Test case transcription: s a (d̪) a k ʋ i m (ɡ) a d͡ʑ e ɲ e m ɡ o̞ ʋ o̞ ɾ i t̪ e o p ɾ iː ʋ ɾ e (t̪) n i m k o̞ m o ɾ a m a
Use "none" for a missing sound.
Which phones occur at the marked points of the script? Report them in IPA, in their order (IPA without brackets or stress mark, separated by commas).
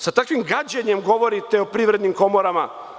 t̪, ɡ, d̪